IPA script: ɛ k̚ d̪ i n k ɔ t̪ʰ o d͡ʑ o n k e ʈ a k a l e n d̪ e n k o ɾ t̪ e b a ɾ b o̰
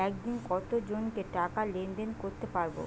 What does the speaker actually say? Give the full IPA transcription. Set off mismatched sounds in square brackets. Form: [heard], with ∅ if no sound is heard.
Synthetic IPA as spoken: ɛ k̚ d̪ i n k ɔ [t̪] o d͡ʑ o n k e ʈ a k a l e n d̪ e n k o ɾ t̪ e [p] a ɾ b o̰